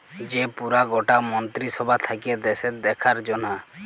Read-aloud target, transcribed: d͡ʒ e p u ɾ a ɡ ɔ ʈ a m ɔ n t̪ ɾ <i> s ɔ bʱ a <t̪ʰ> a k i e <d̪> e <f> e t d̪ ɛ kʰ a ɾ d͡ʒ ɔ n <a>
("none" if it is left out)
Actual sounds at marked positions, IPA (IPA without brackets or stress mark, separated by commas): i, t̪ʰ, d̪, s, a